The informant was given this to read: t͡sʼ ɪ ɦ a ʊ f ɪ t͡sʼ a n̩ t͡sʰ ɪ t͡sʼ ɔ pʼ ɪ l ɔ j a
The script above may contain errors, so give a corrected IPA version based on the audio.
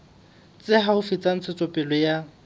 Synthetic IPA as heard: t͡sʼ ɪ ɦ a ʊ f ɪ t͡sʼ a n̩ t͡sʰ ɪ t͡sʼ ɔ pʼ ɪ l ɔ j a